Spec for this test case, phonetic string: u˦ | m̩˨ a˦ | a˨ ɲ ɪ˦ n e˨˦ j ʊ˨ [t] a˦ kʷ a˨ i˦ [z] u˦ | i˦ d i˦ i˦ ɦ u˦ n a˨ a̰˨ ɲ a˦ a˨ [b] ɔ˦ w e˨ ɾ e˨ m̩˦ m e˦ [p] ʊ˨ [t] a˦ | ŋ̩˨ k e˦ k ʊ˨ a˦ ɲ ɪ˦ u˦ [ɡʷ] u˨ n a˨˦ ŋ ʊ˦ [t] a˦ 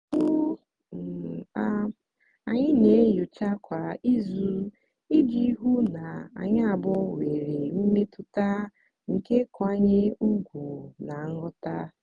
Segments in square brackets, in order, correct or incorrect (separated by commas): incorrect, correct, correct, incorrect, correct, correct, correct